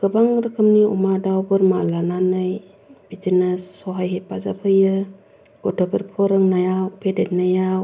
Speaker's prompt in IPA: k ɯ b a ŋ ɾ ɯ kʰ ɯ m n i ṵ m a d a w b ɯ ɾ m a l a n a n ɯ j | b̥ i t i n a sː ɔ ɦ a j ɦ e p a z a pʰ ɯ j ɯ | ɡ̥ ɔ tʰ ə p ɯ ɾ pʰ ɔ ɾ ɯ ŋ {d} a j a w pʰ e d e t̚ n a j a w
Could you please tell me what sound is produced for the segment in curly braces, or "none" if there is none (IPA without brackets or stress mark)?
n